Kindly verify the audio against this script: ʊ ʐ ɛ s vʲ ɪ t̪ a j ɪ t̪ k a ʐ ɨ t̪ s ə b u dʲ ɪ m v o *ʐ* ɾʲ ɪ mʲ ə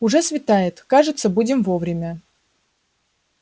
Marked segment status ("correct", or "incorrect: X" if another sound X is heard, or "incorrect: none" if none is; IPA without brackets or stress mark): incorrect: v